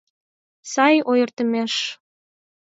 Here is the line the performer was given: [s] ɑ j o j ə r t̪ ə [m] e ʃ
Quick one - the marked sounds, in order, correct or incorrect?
correct, correct

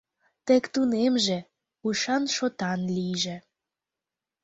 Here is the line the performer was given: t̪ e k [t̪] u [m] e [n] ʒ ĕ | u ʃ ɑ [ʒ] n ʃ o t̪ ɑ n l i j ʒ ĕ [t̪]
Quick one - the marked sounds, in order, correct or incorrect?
correct, incorrect, incorrect, incorrect, incorrect

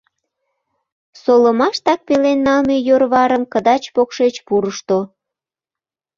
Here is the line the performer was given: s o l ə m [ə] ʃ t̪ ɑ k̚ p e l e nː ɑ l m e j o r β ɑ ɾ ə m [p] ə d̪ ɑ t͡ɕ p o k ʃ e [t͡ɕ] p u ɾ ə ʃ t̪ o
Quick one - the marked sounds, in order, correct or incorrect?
incorrect, incorrect, correct

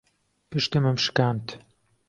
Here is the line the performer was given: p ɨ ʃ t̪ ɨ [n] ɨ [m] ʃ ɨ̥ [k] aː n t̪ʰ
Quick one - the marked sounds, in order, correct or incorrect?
incorrect, correct, correct

